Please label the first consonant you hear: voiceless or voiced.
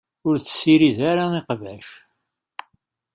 voiced